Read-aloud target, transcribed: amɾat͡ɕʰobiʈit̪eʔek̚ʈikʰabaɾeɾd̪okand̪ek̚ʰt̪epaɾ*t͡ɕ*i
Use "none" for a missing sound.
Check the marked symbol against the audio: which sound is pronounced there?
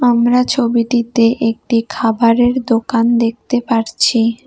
t͡ɕʰ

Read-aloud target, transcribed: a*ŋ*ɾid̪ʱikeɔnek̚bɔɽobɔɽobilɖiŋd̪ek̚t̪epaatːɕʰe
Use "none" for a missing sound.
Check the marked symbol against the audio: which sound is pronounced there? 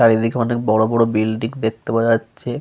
none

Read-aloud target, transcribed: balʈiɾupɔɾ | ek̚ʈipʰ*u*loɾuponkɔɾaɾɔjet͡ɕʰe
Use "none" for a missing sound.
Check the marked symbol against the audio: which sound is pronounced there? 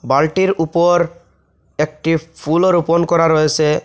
u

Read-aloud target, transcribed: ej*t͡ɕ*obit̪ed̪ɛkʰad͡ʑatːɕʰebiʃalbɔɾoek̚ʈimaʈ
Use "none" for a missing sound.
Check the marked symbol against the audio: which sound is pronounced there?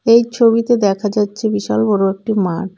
t͡ɕʰ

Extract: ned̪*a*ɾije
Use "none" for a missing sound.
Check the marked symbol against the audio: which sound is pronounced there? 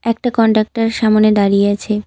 a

